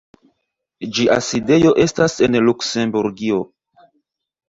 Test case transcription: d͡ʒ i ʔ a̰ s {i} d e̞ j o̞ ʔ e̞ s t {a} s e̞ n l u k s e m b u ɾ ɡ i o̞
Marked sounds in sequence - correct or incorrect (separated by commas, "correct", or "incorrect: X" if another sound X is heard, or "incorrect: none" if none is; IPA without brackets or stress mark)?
correct, correct